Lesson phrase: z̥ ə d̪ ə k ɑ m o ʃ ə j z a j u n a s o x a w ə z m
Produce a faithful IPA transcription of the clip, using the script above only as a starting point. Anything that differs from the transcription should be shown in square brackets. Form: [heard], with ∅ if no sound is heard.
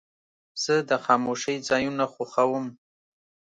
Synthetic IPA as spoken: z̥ ə d̪ ə [x] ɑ m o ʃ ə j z [ɑ] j u n a [x] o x a w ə [∅] m